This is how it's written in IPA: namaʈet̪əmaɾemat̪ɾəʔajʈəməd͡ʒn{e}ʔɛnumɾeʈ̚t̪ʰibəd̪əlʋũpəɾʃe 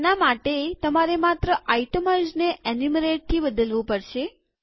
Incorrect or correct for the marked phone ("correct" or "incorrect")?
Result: correct